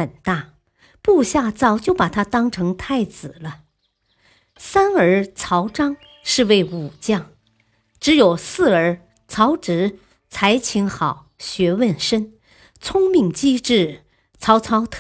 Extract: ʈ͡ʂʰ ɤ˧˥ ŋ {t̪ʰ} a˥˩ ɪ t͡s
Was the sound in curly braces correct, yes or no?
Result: yes